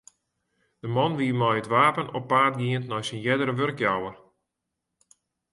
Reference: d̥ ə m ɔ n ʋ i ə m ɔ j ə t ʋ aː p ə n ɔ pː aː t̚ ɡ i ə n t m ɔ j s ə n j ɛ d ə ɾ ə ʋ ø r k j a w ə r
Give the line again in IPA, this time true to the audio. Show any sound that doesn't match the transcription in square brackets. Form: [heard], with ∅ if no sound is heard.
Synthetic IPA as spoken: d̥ ə m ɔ n ʋ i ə m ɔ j ə t ʋ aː p ə n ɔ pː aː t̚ ɡ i ə n t [n] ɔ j s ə n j ɛ d ə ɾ ə ʋ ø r k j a w ə r